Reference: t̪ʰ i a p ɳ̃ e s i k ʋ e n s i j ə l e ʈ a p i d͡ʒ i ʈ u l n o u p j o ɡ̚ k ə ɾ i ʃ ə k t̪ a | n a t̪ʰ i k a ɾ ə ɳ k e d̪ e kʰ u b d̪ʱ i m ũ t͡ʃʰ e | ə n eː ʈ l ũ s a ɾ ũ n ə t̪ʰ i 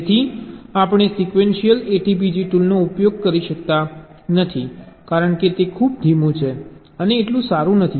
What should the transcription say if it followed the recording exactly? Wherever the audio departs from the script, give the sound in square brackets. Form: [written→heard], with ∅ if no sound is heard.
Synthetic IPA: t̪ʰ i a p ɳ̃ e s i k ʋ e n [s→ʃ] i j ə l e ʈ [a→i] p i d͡ʒ i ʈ u l n o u p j o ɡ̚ k ə ɾ i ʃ ə k t̪ a | n [a→ə] t̪ʰ i k a ɾ ə ɳ k e [d̪→t̪] e kʰ u b d̪ʱ i m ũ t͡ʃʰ e | ə n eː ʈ l ũ s a ɾ ũ n ə t̪ʰ i

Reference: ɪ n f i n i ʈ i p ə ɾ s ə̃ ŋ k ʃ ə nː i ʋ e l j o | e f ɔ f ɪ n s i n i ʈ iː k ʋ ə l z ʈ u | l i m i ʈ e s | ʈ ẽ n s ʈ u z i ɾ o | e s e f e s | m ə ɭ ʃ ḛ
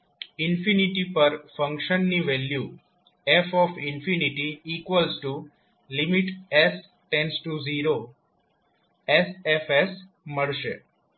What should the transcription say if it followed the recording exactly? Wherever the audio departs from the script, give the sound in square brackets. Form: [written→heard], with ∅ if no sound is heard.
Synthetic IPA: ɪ n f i n i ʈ i p ə ɾ [s→f] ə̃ ŋ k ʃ ə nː i ʋ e l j [o→u] | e f ɔ f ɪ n [s→f] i n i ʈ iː k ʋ ə l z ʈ u | l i m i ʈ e s | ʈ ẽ n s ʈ u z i ɾ o | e s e f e s | m ə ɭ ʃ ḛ

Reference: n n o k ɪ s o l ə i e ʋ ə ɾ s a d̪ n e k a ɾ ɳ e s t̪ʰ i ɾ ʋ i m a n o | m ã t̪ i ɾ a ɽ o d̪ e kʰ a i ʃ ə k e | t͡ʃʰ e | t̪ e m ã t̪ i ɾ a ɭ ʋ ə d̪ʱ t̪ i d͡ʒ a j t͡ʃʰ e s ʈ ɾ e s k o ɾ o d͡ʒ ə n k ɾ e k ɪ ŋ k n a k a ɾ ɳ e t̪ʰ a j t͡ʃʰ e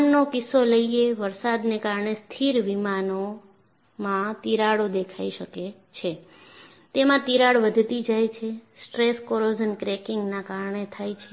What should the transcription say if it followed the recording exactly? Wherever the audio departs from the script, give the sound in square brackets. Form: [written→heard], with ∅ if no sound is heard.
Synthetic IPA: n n o k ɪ s o l ə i e ʋ ə ɾ s a d̪ n e k a ɾ ɳ e s t̪ʰ i ɾ ʋ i m a n o | m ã t̪ i ɾ a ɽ o d̪ e kʰ a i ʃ ə k e | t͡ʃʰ e | t̪ e m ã t̪ i ɾ a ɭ ʋ ə d̪ʱ t̪ i d͡ʒ a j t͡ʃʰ e s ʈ ɾ e s k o ɾ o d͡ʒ ə n k ɾ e k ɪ ŋ [k→ɡ] n a k a ɾ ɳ e t̪ʰ a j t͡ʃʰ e

